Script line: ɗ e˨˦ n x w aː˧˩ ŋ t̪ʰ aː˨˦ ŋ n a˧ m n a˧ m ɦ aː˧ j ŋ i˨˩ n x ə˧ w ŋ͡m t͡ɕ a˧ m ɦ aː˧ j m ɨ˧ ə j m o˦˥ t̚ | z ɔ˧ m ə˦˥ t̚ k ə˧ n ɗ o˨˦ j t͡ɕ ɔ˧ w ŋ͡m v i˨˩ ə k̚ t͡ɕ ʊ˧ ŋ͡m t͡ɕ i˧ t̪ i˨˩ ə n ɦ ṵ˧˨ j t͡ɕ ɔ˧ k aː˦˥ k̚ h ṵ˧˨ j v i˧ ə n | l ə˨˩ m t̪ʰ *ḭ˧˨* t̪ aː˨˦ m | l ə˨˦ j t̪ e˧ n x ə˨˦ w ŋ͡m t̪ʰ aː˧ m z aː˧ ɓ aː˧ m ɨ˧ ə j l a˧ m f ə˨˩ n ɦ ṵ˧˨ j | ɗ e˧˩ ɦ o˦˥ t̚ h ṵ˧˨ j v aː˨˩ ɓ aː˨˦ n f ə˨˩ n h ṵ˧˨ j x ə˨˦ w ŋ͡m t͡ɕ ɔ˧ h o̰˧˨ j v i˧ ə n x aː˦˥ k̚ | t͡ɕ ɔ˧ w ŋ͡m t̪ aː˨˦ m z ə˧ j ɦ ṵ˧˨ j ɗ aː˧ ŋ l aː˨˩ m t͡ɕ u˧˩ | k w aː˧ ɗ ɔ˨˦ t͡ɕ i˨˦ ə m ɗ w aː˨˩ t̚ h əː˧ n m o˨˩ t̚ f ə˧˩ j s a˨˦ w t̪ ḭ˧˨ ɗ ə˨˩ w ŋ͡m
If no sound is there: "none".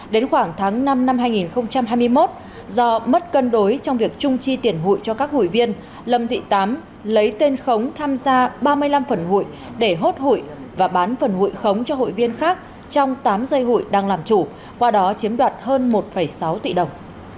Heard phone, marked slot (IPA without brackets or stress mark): ḭ˧˨